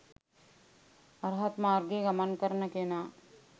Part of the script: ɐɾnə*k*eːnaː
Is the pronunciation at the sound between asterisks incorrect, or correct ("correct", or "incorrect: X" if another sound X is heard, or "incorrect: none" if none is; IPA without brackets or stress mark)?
correct